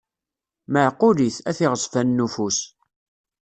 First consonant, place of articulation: labial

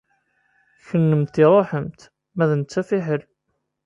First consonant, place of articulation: palatal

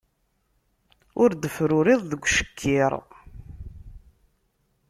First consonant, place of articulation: alveolar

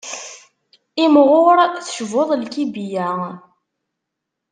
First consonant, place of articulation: labial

